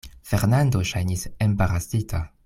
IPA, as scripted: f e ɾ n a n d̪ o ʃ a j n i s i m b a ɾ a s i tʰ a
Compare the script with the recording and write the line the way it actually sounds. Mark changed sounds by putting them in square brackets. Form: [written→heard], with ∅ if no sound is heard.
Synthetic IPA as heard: f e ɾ n a n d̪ o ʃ a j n i s [i→e] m b a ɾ a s i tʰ a